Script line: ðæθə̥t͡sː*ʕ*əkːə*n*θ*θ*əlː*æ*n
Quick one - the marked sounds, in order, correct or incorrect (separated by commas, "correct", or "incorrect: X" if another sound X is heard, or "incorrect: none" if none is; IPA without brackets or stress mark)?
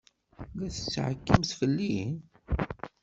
correct, incorrect: m, incorrect: f, incorrect: i